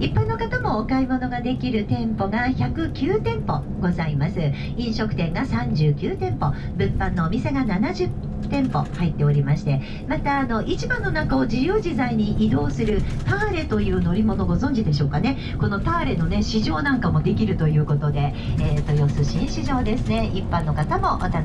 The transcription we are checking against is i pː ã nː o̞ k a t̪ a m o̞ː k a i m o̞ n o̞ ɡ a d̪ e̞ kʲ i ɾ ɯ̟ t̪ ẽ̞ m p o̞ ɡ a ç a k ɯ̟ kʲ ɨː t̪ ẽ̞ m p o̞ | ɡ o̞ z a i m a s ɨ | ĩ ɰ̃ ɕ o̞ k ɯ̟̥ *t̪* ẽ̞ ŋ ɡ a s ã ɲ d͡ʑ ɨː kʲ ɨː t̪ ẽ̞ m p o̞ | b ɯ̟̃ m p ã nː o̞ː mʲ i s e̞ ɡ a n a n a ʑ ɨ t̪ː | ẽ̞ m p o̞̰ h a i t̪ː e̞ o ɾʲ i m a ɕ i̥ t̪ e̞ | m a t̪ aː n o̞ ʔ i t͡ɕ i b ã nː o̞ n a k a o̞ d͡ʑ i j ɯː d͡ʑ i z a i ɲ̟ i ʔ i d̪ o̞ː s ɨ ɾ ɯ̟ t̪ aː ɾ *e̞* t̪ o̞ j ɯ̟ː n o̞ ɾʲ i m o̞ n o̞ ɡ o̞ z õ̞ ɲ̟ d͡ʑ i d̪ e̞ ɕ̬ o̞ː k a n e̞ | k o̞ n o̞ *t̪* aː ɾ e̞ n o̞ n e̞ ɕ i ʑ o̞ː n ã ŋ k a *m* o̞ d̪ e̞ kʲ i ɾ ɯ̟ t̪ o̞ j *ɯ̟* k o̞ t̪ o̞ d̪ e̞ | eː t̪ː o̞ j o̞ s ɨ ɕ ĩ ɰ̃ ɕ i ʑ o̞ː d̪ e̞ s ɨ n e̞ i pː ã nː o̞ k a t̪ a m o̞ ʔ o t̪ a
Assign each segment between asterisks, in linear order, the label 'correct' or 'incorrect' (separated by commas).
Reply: correct, correct, correct, correct, incorrect